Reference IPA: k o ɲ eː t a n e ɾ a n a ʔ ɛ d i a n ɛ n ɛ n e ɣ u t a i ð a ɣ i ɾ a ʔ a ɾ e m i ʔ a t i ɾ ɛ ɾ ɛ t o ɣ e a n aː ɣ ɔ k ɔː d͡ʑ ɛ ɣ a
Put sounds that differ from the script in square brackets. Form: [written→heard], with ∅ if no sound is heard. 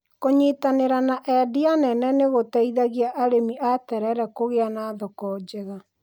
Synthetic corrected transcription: k o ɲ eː t a n e ɾ a n a ʔ ɛ d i a n ɛ n ɛ n e ɣ [u→o] t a i ð a ɣ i [ɾ→∅] a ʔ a ɾ e m i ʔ a t [i→ɛ] ɾ ɛ ɾ ɛ [t→k] o ɣ e a n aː [ɣ→ð] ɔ k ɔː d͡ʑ ɛ ɣ a